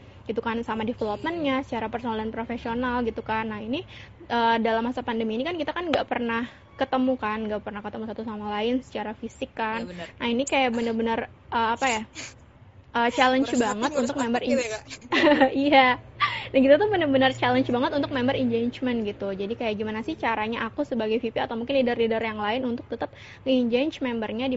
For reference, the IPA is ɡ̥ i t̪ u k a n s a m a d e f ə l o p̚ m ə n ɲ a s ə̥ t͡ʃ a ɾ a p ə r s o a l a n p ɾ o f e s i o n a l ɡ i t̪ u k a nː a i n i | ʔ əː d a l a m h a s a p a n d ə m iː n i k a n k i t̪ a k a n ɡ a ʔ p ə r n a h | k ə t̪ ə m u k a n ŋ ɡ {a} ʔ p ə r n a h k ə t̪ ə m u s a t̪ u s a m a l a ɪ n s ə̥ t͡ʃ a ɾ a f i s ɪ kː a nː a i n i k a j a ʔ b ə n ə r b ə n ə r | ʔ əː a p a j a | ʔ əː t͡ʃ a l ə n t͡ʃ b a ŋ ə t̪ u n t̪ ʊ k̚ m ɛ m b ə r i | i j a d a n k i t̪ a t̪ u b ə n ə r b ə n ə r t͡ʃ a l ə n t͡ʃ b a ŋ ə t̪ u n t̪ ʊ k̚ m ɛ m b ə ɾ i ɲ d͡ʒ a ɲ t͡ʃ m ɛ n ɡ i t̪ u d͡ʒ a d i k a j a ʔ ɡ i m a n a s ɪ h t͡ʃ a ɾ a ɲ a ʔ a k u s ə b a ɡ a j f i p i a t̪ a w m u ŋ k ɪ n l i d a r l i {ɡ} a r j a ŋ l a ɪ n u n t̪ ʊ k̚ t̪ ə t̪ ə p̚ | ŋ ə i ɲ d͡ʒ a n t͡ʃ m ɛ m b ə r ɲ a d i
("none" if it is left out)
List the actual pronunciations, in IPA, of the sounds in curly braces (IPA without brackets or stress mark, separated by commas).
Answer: a, d